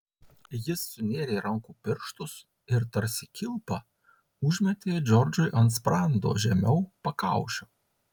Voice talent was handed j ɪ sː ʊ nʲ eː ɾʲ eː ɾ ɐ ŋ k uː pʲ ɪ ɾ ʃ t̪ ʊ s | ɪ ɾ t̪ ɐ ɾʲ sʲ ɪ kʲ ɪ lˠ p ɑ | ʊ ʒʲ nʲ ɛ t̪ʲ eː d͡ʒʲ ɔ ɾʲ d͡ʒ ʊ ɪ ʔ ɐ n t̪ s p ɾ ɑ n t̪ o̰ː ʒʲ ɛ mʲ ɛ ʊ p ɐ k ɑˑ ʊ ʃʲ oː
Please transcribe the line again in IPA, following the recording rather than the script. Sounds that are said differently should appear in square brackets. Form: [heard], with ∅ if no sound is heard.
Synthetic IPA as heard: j ɪ sː ʊ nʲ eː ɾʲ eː ɾ ɐ ŋ k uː pʲ ɪ ɾ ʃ t̪ ʊ s | ɪ ɾ t̪ ɐ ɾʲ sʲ ɪ kʲ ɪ lˠ p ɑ | ʊ ʒʲ [mʲ] ɛ t̪ʲ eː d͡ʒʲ ɔ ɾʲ d͡ʒ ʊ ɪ ʔ ɐ n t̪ s p ɾ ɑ n [d̪] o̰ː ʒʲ ɛ mʲ ɛ ʊ p ɐ k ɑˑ ʊ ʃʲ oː